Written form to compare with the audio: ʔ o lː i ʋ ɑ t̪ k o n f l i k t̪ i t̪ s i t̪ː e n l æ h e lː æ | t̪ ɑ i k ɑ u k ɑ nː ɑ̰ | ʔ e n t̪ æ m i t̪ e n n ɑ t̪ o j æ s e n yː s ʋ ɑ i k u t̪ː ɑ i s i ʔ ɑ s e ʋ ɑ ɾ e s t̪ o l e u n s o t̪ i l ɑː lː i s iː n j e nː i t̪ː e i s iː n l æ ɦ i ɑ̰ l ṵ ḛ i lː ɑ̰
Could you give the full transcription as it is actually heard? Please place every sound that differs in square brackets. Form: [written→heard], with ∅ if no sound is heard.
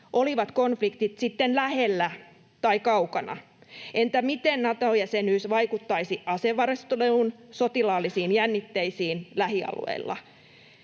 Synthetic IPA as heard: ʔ o [lː→l] i ʋ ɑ t̪ k o n f l i k t̪ i t̪ s i t̪ː e n l æ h e lː æ | t̪ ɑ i k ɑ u k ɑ [nː→n] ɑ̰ | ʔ e n t̪ æ m i t̪ e n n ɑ t̪ o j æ s e n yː s ʋ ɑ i k u t̪ː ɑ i s i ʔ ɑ s e ʋ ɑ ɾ e s t̪ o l e u n s o t̪ i l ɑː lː i s iː n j [e→æ] nː i t̪ː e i s iː n l æ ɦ i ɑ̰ l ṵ ḛ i lː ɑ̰